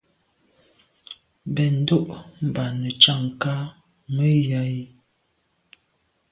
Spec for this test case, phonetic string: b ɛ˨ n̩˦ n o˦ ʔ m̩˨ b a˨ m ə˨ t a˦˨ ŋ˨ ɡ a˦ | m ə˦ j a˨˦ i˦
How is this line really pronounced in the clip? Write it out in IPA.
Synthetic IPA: b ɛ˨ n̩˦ d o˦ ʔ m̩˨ b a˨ n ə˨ t͡ʃ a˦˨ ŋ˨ k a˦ | m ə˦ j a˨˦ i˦